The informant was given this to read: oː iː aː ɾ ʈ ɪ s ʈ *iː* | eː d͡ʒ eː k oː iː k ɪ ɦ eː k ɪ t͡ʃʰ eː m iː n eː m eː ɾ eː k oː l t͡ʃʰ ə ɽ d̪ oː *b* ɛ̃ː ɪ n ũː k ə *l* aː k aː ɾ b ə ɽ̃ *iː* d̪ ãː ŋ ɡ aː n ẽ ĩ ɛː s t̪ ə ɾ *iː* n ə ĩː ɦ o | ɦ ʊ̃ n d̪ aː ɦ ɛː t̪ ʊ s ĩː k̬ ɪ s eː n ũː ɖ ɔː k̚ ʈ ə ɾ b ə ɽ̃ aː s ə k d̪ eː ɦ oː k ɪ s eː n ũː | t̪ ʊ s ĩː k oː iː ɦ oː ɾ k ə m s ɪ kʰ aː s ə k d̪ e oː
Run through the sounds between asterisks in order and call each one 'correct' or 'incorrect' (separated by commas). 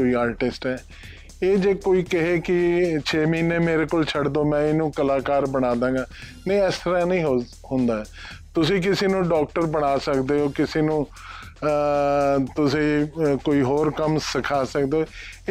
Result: incorrect, incorrect, correct, incorrect, incorrect